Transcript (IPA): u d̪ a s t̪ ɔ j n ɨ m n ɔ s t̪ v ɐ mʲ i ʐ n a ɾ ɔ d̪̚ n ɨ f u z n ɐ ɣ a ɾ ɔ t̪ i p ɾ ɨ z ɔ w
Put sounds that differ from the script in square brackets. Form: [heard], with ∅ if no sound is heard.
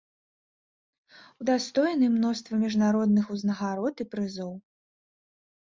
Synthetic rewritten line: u d̪ a s t̪ ɔ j n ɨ m n ɔ s t̪ v ɐ mʲ i ʐ n a ɾ ɔ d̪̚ n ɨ [x] u z n ɐ ɣ a ɾ ɔ t̪ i p ɾ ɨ z ɔ w